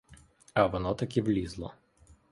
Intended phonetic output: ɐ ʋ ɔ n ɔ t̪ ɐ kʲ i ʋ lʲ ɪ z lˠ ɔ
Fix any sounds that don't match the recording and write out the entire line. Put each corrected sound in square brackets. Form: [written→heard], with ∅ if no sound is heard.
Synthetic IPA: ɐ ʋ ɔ n ɔ t̪ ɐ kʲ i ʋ lʲ [ɪ→i] z lˠ ɔ